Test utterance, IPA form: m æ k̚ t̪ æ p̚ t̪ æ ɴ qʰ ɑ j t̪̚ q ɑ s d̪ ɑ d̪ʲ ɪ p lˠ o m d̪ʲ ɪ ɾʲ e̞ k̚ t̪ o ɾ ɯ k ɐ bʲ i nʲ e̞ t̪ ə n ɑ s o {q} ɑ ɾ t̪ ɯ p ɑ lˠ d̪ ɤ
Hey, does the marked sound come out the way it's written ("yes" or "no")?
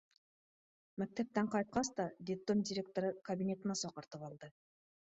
yes